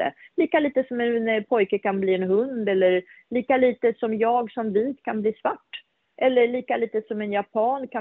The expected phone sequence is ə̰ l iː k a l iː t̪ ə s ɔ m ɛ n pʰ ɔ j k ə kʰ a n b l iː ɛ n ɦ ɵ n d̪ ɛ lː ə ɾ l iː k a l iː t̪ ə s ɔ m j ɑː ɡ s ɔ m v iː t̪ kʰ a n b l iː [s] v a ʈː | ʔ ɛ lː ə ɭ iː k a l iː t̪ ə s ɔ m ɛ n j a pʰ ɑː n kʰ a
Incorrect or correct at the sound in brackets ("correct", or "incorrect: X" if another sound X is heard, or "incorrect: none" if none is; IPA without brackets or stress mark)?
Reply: correct